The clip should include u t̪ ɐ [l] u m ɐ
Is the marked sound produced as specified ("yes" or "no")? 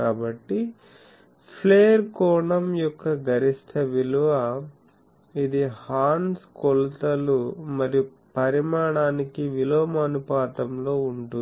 yes